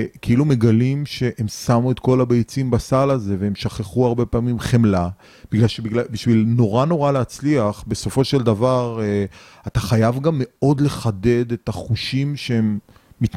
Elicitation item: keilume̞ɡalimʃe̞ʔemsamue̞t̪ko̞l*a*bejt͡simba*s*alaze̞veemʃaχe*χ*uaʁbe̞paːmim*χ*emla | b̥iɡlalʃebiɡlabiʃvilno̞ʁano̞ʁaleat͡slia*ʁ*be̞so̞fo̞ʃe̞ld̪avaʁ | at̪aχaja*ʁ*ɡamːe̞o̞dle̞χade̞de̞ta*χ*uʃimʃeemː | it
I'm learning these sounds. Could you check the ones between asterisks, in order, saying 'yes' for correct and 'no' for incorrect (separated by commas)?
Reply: yes, yes, yes, yes, no, no, yes